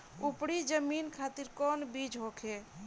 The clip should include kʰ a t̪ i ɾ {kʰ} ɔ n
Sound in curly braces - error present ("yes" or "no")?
yes